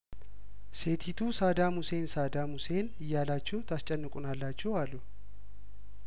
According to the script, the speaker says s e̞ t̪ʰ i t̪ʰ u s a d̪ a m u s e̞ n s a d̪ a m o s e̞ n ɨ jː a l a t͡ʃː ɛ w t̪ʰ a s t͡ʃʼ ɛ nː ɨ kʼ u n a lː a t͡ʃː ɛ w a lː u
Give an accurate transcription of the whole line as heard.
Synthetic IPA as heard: s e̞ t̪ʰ i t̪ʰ u s a d̪ a m u s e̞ n s a d̪ a m u s e̞ n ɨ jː a l a t͡ʃː ɛ w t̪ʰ a s t͡ʃʼ ɛ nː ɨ kʼ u n a lː a t͡ʃː ɛ w a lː u